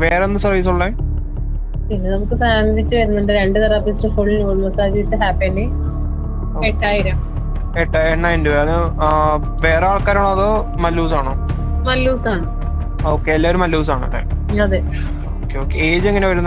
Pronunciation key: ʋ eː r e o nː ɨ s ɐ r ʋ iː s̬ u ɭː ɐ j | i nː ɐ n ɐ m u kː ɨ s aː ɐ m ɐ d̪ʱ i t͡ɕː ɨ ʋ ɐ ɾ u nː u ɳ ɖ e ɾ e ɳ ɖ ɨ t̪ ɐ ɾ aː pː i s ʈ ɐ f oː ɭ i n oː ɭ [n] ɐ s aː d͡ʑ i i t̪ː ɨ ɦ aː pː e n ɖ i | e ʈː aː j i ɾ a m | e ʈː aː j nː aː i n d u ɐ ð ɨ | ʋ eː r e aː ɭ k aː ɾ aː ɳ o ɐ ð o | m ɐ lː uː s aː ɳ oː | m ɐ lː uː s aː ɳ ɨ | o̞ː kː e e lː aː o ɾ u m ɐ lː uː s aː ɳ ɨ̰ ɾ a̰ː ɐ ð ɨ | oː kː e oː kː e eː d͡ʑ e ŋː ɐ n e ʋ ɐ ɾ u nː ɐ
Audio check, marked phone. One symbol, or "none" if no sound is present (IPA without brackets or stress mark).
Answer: m